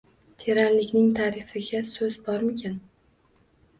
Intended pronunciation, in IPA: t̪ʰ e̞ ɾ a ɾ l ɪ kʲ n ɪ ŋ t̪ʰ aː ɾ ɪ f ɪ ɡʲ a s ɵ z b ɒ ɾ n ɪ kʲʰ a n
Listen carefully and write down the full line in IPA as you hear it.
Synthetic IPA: t̪ʰ e̞ ɾ a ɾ l ɪ kʲ n ɪ ŋ t̪ʰ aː ɾ ɪ f ɪ ɡʲ a s ɵ z b ɒ ɾ m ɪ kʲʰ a n